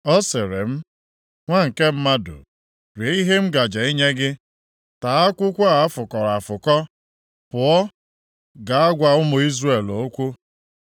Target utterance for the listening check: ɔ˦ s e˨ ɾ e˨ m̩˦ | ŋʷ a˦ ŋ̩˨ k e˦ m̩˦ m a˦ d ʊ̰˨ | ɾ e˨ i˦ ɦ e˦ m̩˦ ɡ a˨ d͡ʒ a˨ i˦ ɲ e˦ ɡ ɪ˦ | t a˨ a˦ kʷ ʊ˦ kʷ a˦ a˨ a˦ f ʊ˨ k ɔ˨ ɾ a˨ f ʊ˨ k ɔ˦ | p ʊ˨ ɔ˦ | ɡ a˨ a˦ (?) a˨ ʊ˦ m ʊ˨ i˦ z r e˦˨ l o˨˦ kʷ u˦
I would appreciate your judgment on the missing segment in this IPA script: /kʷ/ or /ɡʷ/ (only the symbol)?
ɡʷ